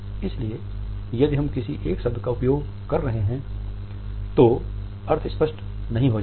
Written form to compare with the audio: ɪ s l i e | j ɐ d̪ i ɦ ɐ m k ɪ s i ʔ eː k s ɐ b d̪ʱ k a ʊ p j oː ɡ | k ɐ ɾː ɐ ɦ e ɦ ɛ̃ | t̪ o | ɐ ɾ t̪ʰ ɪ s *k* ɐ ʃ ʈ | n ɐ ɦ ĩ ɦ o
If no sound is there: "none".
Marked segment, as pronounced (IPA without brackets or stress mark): p